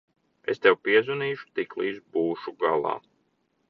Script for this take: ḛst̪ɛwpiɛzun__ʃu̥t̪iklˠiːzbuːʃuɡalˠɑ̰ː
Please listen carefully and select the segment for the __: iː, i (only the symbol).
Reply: iː